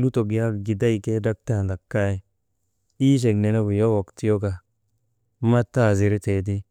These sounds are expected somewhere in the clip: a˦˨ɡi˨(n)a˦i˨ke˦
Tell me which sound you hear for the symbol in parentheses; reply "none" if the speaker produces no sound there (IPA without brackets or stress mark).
d